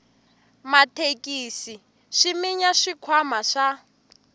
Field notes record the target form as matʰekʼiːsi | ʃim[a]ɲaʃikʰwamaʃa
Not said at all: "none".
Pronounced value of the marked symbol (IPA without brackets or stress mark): i